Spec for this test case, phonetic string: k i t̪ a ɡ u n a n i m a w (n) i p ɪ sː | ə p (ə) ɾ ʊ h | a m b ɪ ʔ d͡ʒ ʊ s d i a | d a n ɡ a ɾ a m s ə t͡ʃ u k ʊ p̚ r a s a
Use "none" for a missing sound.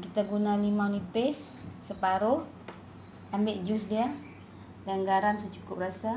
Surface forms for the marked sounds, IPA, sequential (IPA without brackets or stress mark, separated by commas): n, a